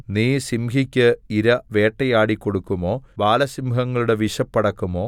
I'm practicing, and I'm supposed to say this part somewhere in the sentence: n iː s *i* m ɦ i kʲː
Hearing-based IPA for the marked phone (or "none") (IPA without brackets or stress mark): i